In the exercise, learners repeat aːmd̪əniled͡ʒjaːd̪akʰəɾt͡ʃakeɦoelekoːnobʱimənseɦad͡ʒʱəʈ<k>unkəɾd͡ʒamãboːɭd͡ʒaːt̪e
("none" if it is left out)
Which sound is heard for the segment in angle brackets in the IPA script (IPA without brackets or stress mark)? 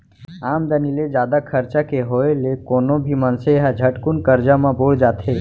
k